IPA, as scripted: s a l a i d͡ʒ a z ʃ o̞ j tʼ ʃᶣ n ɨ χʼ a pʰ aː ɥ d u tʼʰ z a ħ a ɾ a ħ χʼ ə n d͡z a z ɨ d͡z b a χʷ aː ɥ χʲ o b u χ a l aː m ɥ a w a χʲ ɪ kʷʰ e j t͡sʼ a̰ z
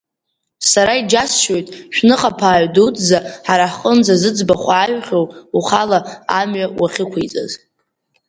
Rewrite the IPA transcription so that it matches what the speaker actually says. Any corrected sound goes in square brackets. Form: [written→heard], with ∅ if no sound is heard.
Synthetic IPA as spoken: s a [l→ɾ] a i d͡ʒ a [z→s] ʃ o̞ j tʼ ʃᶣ n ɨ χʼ a pʰ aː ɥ d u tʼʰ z a ħ a ɾ a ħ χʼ ə n d͡z a z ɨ d͡z b a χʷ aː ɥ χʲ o [b→w] u χ a l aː m ɥ a w a χʲ ɪ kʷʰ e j t͡sʼ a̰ z